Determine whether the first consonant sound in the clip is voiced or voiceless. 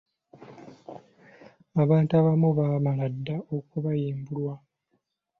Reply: voiced